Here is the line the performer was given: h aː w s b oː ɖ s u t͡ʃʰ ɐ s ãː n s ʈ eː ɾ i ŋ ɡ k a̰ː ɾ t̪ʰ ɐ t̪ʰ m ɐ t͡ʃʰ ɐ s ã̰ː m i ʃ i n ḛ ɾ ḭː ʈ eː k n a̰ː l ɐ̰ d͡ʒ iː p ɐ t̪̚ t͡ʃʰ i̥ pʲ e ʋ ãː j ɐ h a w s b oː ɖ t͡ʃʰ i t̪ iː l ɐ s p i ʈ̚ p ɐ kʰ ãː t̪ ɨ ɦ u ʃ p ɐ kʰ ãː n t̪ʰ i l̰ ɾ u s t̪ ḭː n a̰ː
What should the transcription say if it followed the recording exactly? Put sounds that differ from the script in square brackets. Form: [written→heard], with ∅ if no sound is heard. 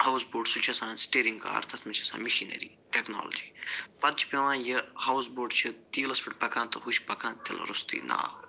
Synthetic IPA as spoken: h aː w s b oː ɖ s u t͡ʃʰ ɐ s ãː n s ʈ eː ɾ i ŋ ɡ k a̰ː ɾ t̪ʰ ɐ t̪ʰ m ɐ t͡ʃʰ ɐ s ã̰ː m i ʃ i n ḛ ɾ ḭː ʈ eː k n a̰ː l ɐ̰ d͡ʒ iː p ɐ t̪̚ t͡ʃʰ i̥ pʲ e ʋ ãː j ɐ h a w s b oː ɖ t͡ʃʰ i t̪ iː l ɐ s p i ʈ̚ p ɐ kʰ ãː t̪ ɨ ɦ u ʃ p ɐ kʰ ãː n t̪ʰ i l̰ ɾ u s t̪ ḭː n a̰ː

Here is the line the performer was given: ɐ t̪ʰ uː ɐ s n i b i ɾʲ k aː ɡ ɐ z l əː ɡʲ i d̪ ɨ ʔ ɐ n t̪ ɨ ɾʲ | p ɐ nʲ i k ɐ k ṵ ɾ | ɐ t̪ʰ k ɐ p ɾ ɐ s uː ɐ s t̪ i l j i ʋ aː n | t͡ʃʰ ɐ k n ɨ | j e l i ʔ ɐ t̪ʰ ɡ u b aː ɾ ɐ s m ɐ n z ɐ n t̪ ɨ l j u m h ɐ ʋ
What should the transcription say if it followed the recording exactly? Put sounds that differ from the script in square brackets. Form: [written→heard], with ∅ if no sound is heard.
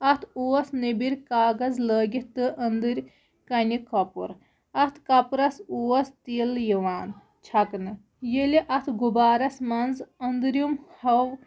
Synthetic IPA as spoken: ɐ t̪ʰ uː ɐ s n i b i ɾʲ k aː ɡ ɐ z l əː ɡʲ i [d̪→t̪] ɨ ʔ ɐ n [t̪→d̪] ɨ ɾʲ | [p→k] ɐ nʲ i k ɐ [k→p] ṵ ɾ | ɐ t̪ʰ k ɐ p ɾ ɐ s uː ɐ s t̪ i l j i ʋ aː n | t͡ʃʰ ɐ k n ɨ | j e l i ʔ ɐ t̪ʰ ɡ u b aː ɾ ɐ s m ɐ n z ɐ n [t̪→d̪] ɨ [l→ɾ] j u m h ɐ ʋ

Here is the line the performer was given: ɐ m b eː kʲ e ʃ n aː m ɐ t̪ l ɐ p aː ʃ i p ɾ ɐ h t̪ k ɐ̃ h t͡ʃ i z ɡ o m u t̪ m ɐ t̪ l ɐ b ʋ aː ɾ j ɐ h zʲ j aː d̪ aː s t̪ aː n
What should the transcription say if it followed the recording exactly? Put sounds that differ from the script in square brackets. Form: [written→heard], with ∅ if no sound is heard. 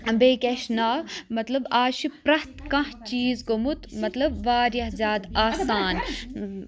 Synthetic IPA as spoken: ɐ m b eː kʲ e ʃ n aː m ɐ t̪ l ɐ [p→b] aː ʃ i p ɾ ɐ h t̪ k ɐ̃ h t͡ʃ [i→iː] z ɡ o m u t̪ m ɐ t̪ l ɐ b ʋ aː ɾ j ɐ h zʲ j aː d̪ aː s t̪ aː n

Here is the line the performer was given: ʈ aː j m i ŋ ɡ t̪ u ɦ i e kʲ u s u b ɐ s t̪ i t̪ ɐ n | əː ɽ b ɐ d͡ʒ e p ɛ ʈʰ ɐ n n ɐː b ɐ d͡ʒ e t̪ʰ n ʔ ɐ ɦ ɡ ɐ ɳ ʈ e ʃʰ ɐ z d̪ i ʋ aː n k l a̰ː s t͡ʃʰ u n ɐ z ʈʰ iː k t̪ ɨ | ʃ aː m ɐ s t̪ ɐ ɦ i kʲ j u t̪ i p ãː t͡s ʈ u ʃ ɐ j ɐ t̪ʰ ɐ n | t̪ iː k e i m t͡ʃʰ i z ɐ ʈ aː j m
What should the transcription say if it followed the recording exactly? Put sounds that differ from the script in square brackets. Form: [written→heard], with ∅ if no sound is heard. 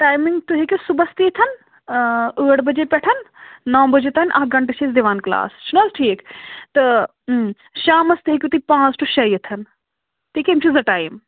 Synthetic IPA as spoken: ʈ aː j m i ŋ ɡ t̪ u ɦ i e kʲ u s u b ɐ s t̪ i [t̪→t̪ʰ] ɐ n | əː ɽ b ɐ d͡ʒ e p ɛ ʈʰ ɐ n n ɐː b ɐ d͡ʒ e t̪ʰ n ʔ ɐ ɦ ɡ ɐ ɳ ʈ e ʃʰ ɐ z d̪ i ʋ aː n k l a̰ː s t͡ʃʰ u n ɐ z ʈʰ iː k t̪ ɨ | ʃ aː m ɐ s t̪ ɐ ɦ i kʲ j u t̪ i p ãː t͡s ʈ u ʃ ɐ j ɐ t̪ʰ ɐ n | t̪ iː k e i m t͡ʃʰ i z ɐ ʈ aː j m

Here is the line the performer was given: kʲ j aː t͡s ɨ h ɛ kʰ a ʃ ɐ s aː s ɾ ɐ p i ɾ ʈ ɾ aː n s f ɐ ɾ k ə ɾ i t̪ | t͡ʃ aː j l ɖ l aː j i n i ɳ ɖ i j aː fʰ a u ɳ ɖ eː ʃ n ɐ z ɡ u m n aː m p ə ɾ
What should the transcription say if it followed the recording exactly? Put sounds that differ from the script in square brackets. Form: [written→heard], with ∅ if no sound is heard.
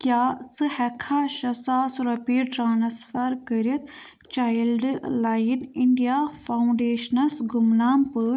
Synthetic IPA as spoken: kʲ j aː t͡s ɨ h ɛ kʰ a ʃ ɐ s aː s ɾ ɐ p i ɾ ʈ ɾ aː n s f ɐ ɾ k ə ɾ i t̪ | t͡ʃ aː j l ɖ l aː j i n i ɳ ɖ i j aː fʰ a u ɳ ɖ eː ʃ n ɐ [z→s] ɡ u m n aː m p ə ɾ

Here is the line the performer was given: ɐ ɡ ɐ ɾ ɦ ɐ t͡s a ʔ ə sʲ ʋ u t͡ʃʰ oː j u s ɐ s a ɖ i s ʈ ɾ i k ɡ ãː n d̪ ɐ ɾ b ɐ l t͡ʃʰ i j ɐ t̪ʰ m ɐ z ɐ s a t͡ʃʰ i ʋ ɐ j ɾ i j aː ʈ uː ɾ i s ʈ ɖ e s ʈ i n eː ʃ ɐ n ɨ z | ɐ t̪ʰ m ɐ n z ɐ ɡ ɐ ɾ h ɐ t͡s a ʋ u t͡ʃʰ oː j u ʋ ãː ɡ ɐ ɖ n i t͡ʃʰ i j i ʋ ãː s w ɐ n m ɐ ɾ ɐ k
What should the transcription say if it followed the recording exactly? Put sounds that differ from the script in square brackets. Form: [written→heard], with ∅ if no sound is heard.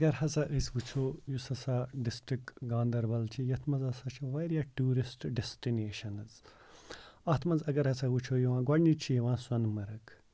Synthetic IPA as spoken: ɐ ɡ ɐ ɾ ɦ ɐ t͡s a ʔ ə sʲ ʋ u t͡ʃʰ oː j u s ɐ s a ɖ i s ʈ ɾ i k ɡ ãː n d̪ ɐ ɾ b ɐ l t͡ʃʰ i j ɐ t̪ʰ m ɐ z ɐ s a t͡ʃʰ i ʋ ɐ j ɾ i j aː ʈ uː ɾ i s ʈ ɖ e s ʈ i n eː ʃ ɐ n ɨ z | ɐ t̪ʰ m ɐ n z ɐ ɡ ɐ ɾ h ɐ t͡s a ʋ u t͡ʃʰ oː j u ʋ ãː ɡ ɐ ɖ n i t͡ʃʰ i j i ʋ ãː s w ɐ n m ɐ ɾ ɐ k

